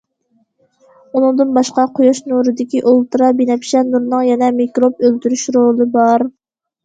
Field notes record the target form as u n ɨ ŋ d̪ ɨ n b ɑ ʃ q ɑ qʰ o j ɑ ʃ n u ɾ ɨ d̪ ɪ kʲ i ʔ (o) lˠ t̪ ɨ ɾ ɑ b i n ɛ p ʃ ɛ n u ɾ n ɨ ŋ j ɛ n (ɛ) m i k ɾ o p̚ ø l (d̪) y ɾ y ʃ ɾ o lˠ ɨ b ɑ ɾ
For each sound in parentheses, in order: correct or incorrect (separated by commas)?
correct, correct, incorrect